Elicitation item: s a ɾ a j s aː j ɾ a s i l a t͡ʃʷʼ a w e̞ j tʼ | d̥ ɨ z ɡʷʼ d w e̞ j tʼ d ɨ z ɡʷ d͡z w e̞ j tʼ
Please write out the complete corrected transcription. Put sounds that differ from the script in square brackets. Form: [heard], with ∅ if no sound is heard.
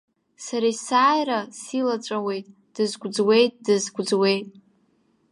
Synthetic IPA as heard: s a ɾ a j s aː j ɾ a s i l a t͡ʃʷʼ a w e̞ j tʼ | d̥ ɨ z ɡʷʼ [d͡z] w e̞ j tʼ d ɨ z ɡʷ d͡z w e̞ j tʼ